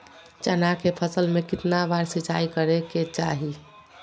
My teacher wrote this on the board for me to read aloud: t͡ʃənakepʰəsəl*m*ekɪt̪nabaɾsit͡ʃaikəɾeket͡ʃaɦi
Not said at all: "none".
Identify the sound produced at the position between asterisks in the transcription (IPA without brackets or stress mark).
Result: m